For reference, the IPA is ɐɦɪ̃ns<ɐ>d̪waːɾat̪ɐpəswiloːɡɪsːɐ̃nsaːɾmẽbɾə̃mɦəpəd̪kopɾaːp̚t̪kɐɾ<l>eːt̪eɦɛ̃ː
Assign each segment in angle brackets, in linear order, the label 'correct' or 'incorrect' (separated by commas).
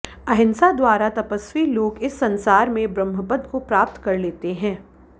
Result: incorrect, correct